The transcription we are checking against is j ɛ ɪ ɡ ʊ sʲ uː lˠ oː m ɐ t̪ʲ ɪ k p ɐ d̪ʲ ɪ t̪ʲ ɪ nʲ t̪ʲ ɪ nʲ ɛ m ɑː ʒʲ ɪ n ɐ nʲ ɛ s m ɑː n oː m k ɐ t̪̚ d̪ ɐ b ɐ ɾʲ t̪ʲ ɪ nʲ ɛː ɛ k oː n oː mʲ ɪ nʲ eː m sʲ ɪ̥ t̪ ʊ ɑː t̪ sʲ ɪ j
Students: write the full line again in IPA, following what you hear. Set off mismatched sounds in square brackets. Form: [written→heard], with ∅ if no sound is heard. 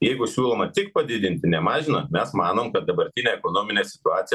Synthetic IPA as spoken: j ɛ ɪ ɡ ʊ sʲ uː lˠ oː m ɐ t̪ʲ ɪ k p ɐ d̪ʲ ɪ [t̪ʲ→d̪ʲ] ɪ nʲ t̪ʲ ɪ nʲ ɛ m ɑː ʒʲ ɪ n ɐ [nʲ→mʲ] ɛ s m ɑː n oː m k ɐ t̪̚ d̪ ɐ b ɐ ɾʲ t̪ʲ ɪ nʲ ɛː ɛ k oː n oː mʲ ɪ nʲ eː [m→∅] sʲ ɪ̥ t̪ ʊ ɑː t̪ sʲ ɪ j

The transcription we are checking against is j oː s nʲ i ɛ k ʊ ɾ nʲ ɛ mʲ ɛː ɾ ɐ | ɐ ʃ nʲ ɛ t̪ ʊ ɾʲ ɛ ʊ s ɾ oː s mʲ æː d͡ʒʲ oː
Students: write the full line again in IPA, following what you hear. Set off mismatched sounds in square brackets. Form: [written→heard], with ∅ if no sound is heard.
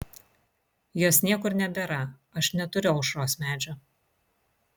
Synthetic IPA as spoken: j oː s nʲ i ɛ k ʊ ɾ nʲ ɛ [mʲ→bʲ] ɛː ɾ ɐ | ɐ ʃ nʲ ɛ t̪ ʊ ɾʲ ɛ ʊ [s→ʃ] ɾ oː s mʲ æː d͡ʒʲ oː

